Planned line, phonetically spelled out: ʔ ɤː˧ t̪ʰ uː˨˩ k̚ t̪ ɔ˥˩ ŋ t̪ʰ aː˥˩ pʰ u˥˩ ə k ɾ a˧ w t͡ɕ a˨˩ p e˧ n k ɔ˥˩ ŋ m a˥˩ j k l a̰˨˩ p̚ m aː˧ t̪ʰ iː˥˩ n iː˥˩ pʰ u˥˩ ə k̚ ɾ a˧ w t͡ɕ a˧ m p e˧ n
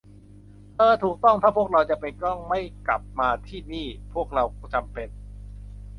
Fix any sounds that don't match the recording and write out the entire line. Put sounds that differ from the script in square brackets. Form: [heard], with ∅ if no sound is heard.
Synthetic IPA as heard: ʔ ɤː˧ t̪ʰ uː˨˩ k̚ t̪ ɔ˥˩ ŋ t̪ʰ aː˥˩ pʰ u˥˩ ə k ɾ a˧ w t͡ɕ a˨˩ p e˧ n k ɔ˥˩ ŋ m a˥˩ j k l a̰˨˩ p̚ m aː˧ t̪ʰ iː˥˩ n iː˥˩ pʰ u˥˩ ə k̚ ɾ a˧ w t͡ɕ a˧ m p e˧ n